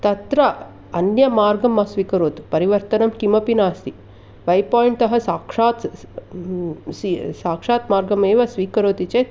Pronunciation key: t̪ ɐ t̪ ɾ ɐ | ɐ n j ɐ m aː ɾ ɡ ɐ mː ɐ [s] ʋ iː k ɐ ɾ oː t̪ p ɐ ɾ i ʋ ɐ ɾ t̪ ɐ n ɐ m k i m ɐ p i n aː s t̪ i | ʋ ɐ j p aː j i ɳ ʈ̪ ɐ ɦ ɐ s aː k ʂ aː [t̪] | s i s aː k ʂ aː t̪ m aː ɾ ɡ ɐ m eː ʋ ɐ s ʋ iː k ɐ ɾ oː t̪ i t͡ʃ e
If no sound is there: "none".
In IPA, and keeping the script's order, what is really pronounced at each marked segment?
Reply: s, t̪

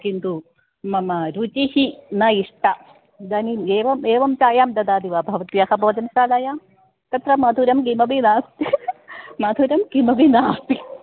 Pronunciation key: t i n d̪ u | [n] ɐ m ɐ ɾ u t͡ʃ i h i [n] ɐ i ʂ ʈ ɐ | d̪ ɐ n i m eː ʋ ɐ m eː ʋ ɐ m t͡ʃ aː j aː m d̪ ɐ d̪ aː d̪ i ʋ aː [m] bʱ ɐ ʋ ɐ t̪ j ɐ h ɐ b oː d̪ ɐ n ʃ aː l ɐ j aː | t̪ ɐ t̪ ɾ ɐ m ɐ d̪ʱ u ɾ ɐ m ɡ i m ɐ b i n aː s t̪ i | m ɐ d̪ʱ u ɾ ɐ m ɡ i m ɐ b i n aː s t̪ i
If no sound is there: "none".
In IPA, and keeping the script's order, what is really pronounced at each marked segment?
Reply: m, n, none

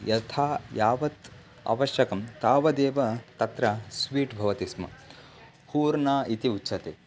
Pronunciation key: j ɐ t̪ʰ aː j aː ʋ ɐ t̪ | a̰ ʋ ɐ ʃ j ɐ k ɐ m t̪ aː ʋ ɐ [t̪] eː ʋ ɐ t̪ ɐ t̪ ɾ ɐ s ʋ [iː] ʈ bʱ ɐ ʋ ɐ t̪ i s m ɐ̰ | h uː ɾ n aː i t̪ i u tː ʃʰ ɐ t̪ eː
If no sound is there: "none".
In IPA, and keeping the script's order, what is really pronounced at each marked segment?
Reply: d̪, iː

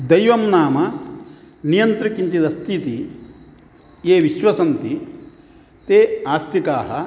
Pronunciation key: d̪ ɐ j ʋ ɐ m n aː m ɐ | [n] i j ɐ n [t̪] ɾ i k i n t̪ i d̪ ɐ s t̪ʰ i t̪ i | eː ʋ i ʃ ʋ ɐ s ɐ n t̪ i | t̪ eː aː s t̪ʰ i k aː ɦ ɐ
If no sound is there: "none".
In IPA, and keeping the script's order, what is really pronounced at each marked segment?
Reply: n, t̪

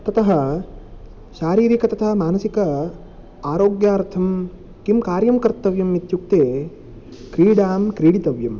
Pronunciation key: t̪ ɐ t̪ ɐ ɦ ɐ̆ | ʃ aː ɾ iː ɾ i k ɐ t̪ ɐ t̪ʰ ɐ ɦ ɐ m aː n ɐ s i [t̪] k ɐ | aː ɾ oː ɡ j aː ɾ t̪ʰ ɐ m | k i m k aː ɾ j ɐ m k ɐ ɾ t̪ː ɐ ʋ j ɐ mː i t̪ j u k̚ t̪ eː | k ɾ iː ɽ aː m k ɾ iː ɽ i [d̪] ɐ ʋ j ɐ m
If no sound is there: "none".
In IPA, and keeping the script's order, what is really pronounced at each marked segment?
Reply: none, t̪

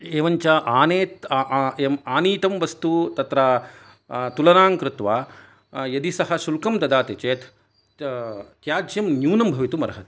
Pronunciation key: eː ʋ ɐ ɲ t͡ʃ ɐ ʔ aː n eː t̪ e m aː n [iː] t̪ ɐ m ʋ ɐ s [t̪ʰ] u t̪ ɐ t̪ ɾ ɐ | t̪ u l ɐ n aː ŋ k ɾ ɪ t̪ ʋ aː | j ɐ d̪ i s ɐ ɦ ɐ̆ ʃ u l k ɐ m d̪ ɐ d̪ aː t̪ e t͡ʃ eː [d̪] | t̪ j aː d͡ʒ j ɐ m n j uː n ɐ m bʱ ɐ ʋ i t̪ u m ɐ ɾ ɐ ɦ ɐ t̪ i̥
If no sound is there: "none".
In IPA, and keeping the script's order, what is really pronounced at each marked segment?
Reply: iː, t̪, t̪

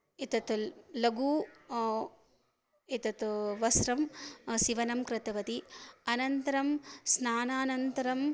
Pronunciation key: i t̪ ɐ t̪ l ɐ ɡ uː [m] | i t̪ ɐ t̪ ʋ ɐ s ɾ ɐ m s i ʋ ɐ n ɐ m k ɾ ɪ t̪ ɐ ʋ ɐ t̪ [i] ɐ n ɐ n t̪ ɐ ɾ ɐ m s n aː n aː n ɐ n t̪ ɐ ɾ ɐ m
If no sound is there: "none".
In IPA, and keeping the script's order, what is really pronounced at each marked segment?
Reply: none, i

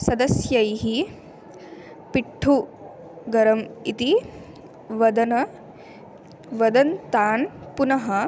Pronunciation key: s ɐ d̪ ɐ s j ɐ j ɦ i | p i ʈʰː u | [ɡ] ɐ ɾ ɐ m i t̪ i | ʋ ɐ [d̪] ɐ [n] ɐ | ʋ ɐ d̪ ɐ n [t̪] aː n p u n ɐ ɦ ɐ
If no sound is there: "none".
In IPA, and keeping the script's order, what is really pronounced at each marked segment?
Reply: ɡ, d̪, n, t̪

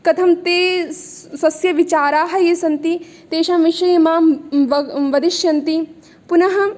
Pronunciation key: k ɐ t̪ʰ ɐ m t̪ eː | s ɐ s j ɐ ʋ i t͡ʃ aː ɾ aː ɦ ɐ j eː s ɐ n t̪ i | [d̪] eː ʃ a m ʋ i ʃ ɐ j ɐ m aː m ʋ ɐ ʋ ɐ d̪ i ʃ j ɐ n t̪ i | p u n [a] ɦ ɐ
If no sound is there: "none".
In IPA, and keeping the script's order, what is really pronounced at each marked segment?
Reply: t̪, ɐ

